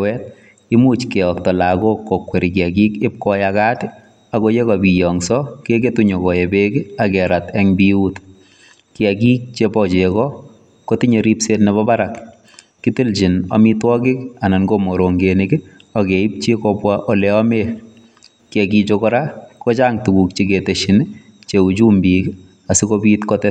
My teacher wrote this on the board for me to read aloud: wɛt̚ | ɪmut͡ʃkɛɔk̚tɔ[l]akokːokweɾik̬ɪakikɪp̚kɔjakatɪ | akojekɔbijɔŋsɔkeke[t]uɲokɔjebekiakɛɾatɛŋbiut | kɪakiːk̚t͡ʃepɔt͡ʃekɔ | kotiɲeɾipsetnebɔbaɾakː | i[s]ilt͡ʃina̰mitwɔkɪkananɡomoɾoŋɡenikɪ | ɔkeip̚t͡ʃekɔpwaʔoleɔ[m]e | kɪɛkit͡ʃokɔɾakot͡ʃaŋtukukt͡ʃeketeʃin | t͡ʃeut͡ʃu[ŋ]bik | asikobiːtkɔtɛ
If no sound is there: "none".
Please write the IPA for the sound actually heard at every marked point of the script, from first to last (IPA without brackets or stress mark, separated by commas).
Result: l, t, t, m, m